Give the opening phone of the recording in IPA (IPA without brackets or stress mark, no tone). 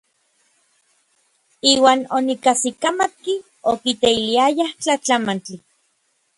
iː